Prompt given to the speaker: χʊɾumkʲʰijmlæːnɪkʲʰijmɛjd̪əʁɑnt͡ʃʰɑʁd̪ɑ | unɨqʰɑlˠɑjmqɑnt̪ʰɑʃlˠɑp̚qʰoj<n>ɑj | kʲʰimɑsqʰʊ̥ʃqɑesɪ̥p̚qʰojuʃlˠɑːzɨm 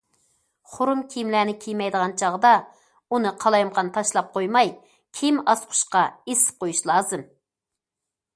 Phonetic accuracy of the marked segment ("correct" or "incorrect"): incorrect